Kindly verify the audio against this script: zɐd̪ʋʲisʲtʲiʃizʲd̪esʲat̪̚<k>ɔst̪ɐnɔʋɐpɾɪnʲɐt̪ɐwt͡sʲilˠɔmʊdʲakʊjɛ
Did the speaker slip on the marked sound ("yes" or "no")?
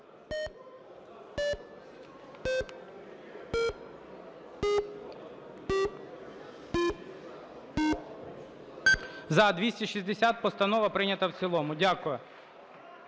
yes